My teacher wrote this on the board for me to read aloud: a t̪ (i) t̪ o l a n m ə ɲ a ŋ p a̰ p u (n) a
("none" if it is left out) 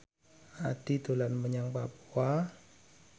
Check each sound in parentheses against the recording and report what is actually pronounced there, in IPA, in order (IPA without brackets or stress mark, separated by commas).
i, none